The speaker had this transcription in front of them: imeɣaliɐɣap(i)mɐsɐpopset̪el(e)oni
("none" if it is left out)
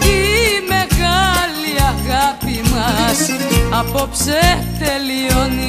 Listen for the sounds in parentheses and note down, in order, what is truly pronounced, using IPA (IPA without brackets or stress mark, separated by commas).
i, i